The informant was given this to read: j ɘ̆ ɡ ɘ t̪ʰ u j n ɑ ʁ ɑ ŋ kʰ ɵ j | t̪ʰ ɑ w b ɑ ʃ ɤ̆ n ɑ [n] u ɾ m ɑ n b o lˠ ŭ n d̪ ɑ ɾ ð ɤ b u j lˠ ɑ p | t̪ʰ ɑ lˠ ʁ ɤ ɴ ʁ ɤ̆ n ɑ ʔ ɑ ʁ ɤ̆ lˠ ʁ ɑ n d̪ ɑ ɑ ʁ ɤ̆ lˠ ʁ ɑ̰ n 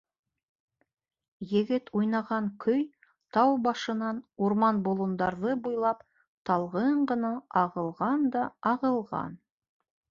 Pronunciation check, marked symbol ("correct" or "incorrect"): correct